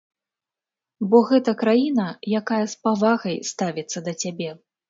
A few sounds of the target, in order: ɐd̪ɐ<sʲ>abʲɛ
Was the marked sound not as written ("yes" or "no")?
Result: yes